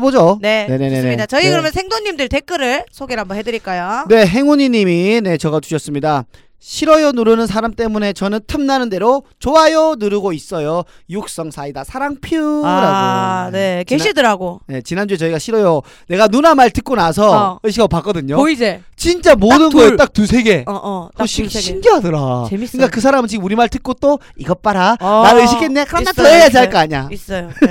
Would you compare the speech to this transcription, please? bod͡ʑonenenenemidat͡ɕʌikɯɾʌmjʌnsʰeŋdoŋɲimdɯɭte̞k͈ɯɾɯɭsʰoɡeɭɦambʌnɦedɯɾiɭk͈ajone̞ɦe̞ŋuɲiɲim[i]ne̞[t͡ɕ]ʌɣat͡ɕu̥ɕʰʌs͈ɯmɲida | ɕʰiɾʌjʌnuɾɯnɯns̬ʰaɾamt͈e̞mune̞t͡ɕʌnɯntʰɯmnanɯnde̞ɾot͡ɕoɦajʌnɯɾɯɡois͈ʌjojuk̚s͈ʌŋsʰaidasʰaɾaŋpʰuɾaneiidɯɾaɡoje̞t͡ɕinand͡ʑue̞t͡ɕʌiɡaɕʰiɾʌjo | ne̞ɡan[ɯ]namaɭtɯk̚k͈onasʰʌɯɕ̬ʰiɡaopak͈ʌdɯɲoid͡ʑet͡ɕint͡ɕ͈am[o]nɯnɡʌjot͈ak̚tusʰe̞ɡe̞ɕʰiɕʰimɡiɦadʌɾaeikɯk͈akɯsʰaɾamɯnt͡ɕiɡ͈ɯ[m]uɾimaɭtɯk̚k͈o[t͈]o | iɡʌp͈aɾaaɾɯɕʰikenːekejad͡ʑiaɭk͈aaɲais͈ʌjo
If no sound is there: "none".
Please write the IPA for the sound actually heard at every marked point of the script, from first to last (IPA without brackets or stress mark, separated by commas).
i, t͡ɕ, u, o, m, t͈